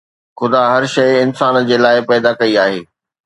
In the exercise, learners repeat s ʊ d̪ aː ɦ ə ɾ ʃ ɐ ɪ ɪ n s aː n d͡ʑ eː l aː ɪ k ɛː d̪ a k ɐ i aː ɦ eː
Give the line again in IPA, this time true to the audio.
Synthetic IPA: x ʊ d̪ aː ɦ ɐ ɾ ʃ ɐ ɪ ɪ n s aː n d͡ʑ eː l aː ɪ p ɛː d̪ a k ɐ i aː ɦ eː